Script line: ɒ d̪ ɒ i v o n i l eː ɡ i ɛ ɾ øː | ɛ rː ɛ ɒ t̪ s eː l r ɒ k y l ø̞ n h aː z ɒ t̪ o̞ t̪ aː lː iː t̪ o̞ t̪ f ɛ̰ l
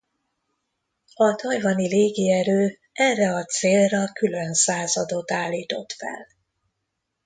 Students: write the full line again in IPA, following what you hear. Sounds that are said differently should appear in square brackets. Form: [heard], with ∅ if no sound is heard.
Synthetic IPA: ɒ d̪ ɒ [j] v [ɒ] n i l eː ɡ i ɛ ɾ øː | ɛ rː ɛ ɒ t̪ s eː l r ɒ k y l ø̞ n [s] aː z ɒ [d̪] o̞ t̪ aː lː iː t̪ o̞ t̪ f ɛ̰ l